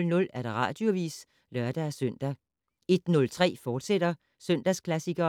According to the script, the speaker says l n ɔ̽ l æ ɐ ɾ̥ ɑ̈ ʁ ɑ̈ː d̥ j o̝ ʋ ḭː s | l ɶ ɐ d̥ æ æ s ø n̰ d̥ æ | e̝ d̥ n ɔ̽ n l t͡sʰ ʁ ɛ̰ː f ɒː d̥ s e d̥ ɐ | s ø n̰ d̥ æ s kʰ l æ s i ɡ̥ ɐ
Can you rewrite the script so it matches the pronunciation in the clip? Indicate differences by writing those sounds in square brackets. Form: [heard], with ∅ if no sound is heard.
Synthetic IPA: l n ɔ̽ l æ ɐ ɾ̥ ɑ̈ ʁ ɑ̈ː d̥ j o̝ ʋ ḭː s | l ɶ ɐ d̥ æ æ s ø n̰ d̥ æ | e̝ d̥ n ɔ̽ [∅] l t͡sʰ ʁ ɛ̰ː f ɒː d̥ s e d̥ ɐ | s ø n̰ d̥ æ s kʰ l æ s i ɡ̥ ɐ